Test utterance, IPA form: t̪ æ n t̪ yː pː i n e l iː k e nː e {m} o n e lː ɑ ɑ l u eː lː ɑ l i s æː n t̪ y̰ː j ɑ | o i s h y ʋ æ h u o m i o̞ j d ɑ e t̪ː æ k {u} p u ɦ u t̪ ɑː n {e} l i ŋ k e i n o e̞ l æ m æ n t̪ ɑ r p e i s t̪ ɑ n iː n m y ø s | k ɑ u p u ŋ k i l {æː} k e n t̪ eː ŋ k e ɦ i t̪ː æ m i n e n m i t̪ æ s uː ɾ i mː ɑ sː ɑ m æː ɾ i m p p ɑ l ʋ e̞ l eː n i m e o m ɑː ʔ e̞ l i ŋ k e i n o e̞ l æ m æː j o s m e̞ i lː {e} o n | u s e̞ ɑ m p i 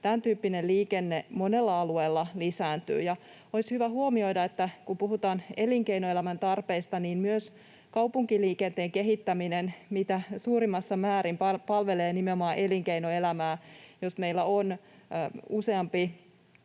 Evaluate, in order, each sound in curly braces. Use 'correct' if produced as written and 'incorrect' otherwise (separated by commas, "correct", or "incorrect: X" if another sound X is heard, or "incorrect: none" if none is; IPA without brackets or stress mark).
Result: correct, correct, correct, incorrect: iː, incorrect: æ